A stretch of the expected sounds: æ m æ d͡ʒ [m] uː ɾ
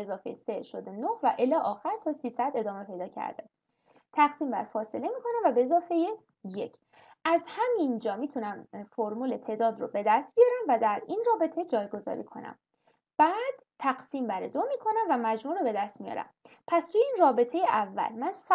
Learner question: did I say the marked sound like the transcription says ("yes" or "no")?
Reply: yes